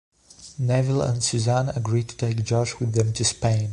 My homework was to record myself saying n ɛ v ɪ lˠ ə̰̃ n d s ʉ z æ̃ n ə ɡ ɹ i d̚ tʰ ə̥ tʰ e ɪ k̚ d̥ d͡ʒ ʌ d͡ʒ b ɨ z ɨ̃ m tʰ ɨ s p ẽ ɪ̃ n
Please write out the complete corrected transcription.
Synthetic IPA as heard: n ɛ v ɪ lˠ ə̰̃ n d s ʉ z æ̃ n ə ɡ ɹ i d̚ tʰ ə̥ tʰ e ɪ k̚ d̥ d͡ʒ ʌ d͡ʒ w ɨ ð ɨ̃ m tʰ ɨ s p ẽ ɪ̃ n